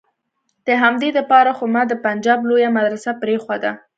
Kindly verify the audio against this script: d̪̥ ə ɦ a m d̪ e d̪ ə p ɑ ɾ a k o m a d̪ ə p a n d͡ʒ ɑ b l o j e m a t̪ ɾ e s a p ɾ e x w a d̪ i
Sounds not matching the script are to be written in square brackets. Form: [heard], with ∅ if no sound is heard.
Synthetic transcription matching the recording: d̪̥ ə ɦ a m d̪ e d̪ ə p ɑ ɾ a [x] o m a d̪ ə p a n d͡ʒ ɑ b l o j [a] m a [d̪] ɾ [a] s a p ɾ e x w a d̪ [a]